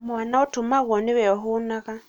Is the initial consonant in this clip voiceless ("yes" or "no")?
no